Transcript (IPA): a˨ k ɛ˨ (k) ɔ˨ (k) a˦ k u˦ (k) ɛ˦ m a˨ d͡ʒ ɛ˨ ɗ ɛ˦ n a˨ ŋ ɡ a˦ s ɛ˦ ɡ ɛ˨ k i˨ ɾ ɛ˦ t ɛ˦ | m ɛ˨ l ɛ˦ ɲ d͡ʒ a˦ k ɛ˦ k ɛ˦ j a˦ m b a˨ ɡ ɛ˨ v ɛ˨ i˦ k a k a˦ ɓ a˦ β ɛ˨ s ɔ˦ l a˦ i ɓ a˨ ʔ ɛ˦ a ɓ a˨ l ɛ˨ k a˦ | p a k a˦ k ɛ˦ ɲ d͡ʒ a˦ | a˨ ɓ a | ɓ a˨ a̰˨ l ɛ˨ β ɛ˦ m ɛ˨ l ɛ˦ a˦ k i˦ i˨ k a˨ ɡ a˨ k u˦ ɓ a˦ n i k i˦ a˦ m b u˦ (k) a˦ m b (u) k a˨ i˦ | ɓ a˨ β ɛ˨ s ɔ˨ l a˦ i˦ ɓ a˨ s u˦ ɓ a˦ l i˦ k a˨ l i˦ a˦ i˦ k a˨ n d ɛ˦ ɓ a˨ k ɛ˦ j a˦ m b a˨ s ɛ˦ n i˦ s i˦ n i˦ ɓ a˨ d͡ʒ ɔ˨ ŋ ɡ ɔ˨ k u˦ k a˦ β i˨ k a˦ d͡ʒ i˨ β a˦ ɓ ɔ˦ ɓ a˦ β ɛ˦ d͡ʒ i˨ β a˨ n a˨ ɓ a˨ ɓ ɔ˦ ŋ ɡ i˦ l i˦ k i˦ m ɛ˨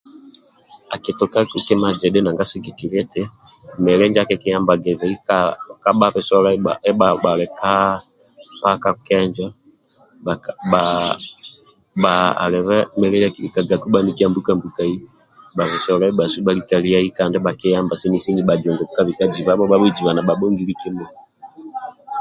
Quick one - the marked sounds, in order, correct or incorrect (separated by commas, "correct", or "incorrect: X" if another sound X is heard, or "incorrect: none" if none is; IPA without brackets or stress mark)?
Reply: incorrect: t, correct, correct, correct, correct